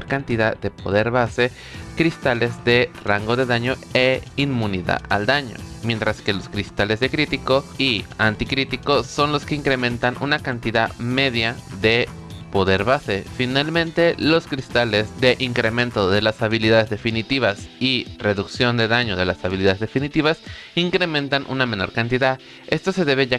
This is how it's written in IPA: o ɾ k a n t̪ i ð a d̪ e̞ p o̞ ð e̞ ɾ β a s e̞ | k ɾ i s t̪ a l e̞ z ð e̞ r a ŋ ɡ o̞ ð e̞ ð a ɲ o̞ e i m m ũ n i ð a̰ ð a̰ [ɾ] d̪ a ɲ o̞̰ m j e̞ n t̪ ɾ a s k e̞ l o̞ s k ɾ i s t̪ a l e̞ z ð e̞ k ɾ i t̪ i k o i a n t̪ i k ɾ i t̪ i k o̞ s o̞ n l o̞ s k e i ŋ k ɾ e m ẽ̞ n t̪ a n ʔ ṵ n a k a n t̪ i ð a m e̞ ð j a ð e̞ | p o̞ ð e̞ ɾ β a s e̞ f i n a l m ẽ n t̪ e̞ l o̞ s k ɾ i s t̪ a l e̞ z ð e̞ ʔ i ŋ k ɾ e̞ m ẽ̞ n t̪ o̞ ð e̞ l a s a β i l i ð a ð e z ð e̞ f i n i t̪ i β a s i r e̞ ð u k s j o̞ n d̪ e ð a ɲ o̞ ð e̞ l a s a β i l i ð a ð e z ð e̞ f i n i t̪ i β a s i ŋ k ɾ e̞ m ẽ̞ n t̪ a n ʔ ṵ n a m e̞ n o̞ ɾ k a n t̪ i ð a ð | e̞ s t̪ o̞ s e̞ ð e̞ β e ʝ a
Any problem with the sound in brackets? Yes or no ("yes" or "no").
yes